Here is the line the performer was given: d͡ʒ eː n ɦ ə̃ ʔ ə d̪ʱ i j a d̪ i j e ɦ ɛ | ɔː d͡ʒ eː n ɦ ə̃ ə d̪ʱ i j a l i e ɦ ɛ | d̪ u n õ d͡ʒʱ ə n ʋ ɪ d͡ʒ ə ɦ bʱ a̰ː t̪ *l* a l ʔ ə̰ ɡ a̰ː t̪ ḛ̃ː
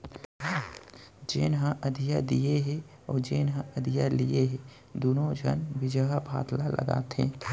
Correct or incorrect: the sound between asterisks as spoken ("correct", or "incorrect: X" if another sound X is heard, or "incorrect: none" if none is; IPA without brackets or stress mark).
correct